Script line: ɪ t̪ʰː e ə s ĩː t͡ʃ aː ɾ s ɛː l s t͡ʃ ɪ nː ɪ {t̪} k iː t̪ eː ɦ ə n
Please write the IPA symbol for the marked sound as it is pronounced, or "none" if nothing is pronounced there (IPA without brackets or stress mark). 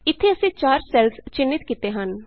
t̪